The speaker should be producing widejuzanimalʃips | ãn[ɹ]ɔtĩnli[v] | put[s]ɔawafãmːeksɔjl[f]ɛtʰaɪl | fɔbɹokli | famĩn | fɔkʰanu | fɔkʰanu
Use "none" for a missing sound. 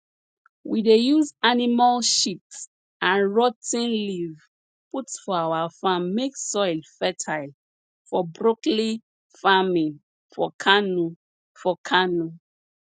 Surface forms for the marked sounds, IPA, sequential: ɹ, v, f, f

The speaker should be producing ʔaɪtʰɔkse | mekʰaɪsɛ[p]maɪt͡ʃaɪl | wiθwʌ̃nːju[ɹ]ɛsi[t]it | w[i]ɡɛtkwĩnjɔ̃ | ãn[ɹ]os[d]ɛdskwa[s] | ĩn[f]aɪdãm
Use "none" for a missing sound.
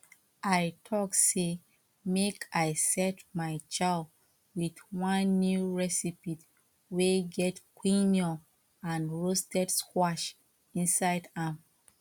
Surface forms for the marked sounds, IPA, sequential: t, ɹ, p, e, ɹ, t, ʃ, s

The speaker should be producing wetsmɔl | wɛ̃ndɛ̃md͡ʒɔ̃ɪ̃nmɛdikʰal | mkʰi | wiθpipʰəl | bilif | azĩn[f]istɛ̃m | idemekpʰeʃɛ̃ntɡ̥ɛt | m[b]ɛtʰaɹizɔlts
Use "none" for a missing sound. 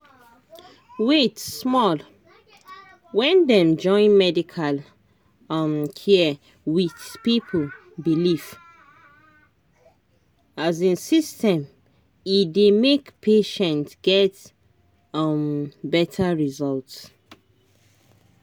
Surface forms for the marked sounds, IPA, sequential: s, b

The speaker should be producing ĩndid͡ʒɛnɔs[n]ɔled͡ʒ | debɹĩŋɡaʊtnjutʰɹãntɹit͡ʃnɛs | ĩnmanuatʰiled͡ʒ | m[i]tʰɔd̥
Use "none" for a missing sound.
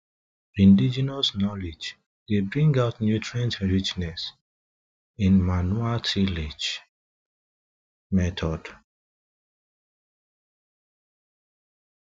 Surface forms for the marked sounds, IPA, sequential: n, ɛ

